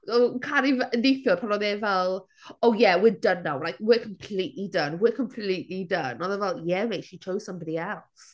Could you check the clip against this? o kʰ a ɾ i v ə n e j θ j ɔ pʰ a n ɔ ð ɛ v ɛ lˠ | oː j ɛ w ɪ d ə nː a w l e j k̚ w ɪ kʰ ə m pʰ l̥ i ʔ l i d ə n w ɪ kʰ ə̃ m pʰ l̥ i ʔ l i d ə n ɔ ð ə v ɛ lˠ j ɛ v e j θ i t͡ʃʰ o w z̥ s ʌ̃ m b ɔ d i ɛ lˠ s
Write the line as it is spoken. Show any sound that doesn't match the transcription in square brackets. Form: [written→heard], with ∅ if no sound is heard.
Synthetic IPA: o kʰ a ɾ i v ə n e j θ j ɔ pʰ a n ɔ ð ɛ v ɛ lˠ | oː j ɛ w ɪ d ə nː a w l [e→a] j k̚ w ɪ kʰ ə m pʰ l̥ i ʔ l i d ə n w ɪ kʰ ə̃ m pʰ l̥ i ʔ l i d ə n ɔ ð ə v ɛ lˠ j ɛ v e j [θ→ʃ] i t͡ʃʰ o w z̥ s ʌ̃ m b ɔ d i ɛ lˠ s